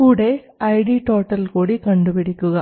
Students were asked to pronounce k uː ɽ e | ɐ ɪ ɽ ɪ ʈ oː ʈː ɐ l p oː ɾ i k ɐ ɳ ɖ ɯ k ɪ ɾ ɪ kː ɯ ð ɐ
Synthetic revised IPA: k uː ɽ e | ɐ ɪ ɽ i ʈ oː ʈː ɐ l k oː ɽ i k ɐ ɳ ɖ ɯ p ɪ ɽ ɪ kː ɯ ɣ ɐ